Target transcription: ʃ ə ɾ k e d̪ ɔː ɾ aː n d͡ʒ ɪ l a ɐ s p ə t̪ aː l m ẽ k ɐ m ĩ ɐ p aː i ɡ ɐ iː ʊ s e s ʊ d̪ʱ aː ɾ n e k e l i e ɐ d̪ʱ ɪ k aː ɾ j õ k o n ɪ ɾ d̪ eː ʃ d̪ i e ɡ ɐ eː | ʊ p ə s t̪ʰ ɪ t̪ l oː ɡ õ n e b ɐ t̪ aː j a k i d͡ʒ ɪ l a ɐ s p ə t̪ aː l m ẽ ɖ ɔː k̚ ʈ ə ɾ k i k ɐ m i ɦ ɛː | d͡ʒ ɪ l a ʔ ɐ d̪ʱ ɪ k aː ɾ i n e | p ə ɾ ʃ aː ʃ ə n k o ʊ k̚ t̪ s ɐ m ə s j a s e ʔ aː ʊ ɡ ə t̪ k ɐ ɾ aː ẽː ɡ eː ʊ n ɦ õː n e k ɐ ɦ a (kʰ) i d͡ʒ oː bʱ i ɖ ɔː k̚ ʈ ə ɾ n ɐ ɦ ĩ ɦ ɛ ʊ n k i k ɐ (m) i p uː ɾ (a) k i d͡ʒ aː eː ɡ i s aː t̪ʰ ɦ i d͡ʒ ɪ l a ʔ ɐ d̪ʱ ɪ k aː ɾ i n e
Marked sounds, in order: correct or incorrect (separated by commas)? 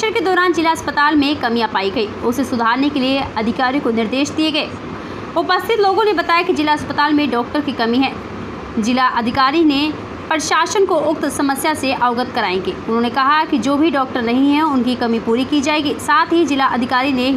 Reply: incorrect, correct, incorrect